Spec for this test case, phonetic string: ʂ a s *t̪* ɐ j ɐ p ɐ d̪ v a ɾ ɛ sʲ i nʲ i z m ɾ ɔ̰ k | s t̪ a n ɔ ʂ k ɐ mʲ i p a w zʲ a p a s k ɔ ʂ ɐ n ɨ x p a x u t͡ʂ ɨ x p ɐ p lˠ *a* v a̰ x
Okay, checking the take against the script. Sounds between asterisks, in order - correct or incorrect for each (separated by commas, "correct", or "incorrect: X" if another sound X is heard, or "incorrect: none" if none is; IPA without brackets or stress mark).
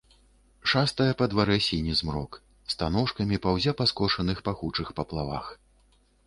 correct, correct